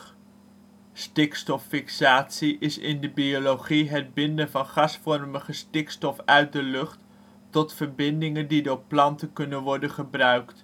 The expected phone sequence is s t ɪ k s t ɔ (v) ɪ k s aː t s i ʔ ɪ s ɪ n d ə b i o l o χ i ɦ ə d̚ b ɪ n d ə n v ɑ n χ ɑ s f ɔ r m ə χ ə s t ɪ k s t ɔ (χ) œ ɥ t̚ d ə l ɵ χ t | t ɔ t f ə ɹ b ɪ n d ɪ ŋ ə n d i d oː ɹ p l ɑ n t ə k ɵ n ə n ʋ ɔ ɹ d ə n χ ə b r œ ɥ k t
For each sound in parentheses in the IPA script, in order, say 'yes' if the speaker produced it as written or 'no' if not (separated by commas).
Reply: no, no